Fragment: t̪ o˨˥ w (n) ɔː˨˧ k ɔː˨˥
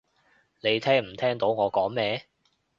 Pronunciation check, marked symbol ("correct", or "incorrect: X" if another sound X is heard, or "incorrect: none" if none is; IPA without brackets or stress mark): incorrect: ŋ